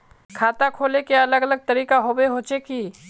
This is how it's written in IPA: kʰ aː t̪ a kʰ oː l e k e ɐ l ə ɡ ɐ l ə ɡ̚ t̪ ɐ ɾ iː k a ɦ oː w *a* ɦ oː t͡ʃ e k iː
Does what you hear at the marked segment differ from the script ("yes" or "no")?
yes